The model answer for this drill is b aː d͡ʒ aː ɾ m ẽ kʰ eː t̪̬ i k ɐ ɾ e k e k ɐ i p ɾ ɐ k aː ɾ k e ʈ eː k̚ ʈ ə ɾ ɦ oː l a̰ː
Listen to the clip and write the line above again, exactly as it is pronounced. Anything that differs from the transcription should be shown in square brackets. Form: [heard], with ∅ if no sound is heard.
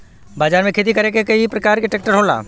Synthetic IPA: b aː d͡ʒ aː ɾ m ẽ kʰ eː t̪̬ i k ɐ ɾ e k e k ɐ i p ɾ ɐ k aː ɾ k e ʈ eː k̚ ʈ ə ɾ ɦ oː l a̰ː